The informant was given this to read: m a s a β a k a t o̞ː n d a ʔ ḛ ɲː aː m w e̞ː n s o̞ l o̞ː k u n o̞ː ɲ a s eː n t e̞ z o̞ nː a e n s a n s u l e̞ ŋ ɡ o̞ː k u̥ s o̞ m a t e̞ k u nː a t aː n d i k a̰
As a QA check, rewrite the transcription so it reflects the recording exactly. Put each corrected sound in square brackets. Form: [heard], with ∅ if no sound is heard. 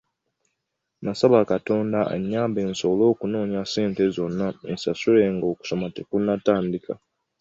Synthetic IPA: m a s a β a k a t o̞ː n d a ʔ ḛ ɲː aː m [b] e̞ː n s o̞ l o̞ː k u n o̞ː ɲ a s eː n t e̞ z o̞ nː a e n s a [∅] s u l e̞ ŋ ɡ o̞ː k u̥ s o̞ m a t e̞ k u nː a t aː n d i k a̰